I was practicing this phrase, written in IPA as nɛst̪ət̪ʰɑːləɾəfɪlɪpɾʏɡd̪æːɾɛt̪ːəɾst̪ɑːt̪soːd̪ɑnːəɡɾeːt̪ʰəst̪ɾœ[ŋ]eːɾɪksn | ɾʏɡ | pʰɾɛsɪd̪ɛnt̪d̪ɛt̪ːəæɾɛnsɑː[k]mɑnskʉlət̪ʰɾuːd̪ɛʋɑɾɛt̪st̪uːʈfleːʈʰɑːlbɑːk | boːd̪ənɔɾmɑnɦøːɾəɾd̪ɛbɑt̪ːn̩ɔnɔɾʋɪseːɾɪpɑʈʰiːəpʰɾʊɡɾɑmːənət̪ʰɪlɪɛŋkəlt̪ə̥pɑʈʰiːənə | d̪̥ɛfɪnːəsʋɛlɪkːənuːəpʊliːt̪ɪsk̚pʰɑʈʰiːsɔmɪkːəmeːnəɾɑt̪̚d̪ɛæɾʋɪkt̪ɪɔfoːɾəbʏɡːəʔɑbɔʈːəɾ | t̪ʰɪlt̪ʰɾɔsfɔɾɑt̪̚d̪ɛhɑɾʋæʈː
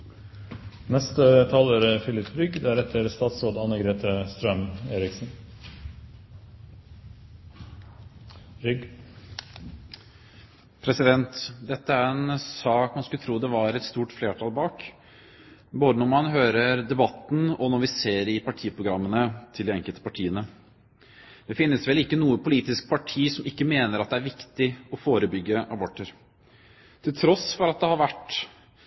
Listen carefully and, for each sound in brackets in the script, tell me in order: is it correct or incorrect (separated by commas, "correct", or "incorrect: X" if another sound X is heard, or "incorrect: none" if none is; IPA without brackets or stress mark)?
incorrect: m, correct